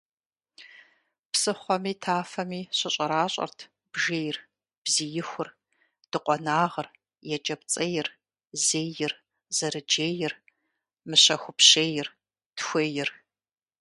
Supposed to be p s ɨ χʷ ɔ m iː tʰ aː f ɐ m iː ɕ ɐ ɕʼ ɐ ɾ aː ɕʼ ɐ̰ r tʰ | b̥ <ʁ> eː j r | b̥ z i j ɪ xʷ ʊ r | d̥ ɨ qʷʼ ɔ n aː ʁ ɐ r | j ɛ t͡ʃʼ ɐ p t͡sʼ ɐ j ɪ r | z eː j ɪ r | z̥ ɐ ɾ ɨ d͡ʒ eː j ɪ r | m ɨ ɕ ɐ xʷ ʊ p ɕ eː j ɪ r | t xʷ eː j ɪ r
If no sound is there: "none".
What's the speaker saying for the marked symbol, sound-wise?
ʒ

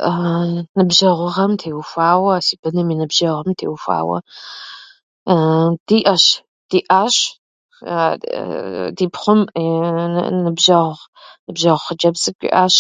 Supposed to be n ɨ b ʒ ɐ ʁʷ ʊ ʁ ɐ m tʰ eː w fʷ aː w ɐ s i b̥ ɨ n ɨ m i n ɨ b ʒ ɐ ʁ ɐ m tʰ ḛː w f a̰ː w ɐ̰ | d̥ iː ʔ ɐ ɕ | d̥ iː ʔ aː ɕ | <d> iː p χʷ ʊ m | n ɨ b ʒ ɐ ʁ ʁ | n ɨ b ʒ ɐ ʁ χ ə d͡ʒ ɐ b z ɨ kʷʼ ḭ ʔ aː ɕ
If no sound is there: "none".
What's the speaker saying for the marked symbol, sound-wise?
d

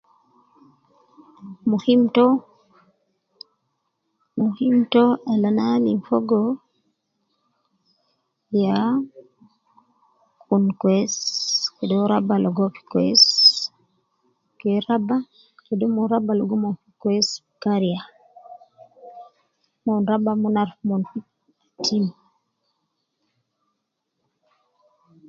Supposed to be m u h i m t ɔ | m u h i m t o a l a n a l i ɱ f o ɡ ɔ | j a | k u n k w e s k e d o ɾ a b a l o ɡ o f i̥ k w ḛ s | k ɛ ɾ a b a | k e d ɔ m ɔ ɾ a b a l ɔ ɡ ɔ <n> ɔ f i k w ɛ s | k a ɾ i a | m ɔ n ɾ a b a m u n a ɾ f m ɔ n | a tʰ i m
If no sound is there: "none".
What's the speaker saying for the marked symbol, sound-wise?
m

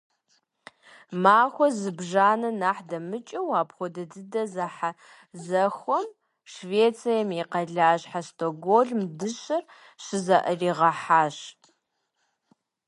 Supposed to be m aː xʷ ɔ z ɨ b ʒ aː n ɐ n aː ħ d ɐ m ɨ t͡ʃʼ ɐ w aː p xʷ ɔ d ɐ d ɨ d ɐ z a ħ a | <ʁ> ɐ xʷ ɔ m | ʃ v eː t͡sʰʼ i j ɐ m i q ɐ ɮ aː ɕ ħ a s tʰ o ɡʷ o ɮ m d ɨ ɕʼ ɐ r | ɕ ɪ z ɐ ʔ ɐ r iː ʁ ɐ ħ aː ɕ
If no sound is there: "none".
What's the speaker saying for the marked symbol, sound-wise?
z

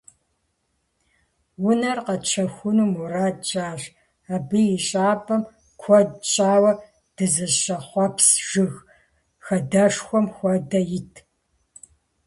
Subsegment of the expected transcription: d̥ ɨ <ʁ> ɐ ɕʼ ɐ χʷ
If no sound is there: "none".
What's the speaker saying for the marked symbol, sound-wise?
z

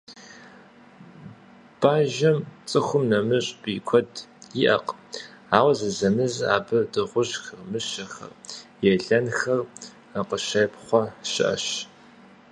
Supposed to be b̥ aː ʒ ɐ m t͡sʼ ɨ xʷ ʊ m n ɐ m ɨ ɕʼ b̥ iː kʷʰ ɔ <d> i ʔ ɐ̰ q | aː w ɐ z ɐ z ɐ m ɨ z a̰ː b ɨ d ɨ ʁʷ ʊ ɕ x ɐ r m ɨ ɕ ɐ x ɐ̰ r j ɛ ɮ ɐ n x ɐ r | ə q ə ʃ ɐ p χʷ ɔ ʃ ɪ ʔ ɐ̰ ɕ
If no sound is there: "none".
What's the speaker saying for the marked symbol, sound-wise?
d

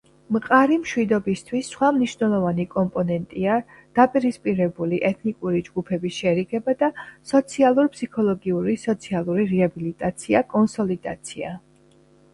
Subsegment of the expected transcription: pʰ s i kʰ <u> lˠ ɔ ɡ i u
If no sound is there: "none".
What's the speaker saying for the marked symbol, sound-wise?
ɔ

